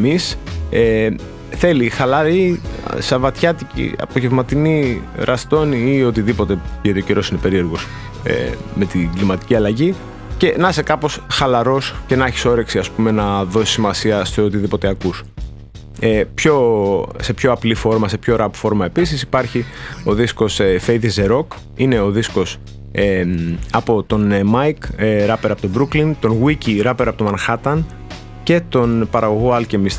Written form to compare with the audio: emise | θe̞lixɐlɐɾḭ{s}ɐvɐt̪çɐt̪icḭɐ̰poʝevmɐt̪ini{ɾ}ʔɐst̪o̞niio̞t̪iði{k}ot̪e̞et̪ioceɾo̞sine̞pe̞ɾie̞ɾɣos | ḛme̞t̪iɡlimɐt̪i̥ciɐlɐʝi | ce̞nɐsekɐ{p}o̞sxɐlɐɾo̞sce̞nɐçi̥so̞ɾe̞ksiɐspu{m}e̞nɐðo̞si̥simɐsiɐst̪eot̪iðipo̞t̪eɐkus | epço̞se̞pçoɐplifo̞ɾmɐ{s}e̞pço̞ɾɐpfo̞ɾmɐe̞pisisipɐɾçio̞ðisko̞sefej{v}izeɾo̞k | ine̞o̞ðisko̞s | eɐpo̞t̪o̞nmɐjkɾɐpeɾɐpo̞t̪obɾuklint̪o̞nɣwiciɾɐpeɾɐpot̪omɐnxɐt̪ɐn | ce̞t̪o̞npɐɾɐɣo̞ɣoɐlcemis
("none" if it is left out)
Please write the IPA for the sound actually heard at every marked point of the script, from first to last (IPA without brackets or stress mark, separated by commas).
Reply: s, ɾ, p, p, m, s, ð